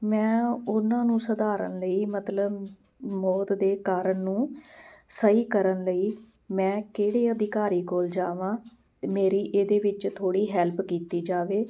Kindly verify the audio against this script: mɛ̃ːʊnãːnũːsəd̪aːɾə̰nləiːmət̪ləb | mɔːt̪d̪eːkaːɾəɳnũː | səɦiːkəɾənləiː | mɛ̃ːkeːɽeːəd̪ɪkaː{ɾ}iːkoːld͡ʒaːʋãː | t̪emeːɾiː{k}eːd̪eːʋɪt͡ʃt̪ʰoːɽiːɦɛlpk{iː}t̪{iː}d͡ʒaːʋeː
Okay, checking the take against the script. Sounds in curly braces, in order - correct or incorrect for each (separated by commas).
correct, incorrect, correct, correct